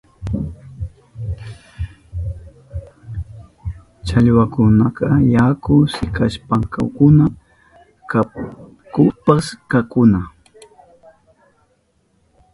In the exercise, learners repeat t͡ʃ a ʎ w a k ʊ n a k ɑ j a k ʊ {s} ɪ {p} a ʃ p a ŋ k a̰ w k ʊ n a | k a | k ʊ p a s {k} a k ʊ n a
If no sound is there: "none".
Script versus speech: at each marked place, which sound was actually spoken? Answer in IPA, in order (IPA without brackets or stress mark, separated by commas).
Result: s, k, k